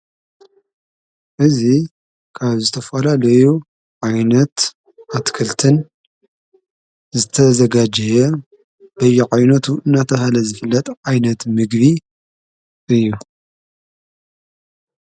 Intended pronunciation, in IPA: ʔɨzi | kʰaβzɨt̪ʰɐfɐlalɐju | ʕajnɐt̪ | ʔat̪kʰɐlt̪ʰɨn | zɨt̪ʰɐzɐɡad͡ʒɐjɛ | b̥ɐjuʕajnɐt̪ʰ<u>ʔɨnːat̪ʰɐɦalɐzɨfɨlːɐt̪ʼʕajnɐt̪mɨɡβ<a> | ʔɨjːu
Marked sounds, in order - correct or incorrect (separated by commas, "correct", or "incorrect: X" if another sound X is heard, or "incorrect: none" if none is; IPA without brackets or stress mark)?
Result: correct, incorrect: i